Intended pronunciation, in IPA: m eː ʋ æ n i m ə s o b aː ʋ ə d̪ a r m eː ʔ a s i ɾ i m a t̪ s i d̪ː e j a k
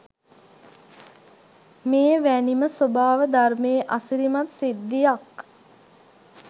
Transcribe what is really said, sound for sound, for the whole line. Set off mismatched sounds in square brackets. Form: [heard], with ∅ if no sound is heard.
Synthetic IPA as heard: m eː ʋ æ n i m ə s o b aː ʋ ə d̪ a r m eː ʔ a s i ɾ i m a t̪ s i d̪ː [i] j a k